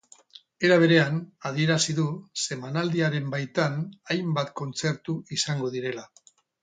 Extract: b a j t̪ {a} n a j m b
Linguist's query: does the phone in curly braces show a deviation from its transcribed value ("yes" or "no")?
no